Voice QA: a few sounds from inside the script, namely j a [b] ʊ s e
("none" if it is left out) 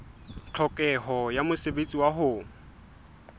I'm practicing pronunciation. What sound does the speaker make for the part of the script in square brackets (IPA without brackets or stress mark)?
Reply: m